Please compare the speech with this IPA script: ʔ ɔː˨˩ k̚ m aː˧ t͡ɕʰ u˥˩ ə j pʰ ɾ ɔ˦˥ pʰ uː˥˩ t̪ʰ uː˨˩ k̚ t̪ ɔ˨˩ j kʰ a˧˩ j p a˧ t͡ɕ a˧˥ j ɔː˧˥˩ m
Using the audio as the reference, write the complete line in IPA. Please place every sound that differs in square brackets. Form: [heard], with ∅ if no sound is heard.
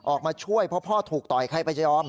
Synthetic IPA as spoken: ʔ ɔː˨˩ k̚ m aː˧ t͡ɕʰ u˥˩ ə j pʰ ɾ ɔ˦˥ pʰ [ɔː˥˩] t̪ʰ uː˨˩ k̚ t̪ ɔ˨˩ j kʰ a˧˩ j p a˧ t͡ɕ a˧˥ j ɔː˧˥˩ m